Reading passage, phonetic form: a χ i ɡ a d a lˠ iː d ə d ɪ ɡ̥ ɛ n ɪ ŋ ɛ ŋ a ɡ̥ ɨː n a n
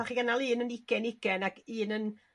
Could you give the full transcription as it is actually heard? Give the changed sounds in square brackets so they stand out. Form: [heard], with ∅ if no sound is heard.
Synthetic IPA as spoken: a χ i ɡ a [n] a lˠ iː [n] ə [n] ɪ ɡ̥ ɛ n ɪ [ɡ] ɛ [n] a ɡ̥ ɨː n [ə] n